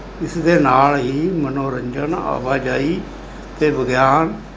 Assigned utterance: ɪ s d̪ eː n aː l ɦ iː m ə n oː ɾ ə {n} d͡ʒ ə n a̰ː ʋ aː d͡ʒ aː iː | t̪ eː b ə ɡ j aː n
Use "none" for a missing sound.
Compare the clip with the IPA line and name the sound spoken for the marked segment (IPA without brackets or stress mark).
ɲ